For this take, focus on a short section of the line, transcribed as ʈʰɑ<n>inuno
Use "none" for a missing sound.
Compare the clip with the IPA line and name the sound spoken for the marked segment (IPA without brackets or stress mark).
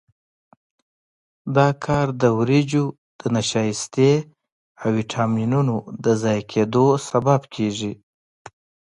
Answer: m